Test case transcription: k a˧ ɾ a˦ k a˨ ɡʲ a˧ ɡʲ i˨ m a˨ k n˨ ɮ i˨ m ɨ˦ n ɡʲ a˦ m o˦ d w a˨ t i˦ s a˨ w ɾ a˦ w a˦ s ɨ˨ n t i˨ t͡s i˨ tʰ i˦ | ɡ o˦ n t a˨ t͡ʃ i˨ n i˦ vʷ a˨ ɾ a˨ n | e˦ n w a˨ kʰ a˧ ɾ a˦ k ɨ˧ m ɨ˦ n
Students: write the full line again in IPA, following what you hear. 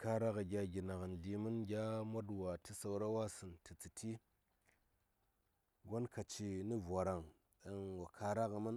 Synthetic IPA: k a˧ ɾ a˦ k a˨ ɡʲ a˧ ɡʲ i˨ n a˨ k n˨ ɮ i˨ m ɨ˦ n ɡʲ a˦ m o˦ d w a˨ t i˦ s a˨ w ɾ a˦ w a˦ s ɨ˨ n t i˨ t͡s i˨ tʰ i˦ | ɡ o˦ n k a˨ t͡ʃ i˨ n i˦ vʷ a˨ ɾ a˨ ŋ | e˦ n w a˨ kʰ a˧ ɾ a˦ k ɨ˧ m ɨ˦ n